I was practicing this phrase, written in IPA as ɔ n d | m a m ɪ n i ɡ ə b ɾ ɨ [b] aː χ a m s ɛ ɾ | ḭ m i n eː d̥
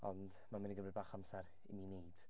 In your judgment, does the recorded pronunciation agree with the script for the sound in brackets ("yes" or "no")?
yes